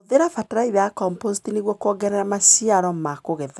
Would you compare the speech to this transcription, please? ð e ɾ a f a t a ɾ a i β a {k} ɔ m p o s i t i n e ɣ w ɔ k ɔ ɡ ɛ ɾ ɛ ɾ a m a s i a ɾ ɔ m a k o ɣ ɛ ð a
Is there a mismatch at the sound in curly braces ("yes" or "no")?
no